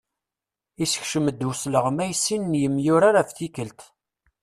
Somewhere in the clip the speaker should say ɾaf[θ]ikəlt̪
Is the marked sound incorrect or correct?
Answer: correct